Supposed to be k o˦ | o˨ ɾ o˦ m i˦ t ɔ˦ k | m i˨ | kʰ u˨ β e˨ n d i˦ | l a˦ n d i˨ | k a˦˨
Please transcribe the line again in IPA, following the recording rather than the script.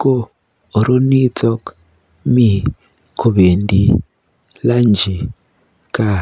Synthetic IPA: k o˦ | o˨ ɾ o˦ n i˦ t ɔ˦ k | m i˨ | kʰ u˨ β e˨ n d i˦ | l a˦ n d͡ʒ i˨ | k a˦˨